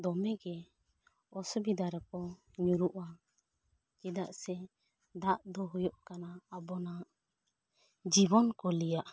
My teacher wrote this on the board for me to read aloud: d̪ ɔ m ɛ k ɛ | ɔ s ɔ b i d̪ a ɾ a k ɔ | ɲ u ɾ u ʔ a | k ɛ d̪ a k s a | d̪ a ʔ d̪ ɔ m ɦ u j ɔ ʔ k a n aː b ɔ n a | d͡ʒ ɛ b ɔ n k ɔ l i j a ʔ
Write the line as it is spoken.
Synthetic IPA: d̪ ɔ m ɛ ɡ ɛ | ɔ s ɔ b i d̪ a ɾ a k ɔ | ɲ u ɾ u ʔ a | k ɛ d̪ a ʔ s ɛ | d̪ a ʔ d̪ ɔ ɦ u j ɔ ʔ k a n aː b ɔ n a | d͡ʒ i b ɔ n k ɔ l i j a ʔ